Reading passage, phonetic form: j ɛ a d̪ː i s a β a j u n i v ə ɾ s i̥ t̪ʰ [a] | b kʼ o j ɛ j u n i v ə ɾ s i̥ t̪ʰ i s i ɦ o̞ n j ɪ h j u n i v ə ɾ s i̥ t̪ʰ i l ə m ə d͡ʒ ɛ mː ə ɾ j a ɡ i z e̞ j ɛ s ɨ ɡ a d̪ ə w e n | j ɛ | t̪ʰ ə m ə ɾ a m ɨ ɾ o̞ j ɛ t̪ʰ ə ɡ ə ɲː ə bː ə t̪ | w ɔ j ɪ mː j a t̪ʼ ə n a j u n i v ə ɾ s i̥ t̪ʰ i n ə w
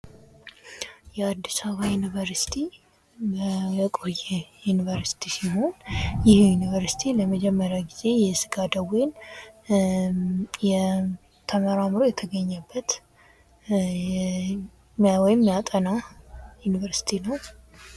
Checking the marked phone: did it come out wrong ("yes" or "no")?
yes